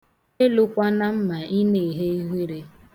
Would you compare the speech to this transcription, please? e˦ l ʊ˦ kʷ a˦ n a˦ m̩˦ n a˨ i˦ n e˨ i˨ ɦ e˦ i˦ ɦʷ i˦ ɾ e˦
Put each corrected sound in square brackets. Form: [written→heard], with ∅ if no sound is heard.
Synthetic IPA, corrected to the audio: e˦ l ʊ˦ kʷ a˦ n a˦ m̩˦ [n→m] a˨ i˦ n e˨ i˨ ɦ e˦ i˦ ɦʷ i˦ ɾ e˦